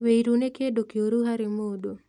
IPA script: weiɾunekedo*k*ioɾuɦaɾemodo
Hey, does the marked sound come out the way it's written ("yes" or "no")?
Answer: yes